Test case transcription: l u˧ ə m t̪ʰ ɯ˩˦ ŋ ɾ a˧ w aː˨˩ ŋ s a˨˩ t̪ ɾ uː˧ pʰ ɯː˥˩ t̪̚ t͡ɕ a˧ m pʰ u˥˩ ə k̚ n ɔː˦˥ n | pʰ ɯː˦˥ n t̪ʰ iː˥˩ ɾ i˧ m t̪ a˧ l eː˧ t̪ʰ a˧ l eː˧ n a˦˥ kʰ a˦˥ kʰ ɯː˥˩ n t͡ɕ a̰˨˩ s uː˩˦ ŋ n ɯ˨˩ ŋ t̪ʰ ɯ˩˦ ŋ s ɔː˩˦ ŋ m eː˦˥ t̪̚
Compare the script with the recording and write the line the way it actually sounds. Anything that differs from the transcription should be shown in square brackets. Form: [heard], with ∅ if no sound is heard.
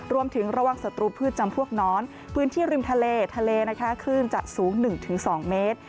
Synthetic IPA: [ɾ] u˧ ə m t̪ʰ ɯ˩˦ ŋ ɾ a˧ w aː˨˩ ŋ s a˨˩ t̪ ɾ uː˧ pʰ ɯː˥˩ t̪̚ t͡ɕ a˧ m pʰ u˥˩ ə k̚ n ɔː˦˥ n | pʰ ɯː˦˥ n t̪ʰ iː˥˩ ɾ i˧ m [t̪ʰ] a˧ l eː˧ t̪ʰ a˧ l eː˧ n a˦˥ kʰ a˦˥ kʰ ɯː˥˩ n t͡ɕ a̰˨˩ s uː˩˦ ŋ n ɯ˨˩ ŋ t̪ʰ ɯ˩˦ ŋ s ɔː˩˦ ŋ m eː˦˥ t̪̚